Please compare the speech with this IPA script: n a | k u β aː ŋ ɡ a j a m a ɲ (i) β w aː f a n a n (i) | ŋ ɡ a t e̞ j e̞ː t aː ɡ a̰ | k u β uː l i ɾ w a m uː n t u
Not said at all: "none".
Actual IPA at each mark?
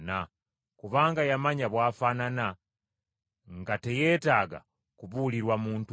a, a

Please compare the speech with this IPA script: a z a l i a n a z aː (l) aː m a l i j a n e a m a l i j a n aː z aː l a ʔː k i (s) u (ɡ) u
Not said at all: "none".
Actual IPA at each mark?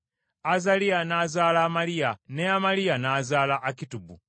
l, t, b

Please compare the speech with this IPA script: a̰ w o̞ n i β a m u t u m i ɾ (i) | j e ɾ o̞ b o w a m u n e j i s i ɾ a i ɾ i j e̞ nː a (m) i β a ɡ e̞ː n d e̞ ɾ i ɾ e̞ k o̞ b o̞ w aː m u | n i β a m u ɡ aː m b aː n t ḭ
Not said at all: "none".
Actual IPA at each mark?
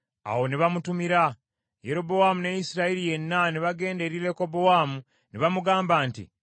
a, n

